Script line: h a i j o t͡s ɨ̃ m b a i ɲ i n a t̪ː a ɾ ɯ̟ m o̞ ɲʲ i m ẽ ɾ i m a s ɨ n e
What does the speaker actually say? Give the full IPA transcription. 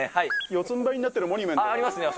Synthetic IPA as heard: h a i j o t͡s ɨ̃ m b a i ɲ i n a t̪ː e ɾ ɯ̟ m o̞ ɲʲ i m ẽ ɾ i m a s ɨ n e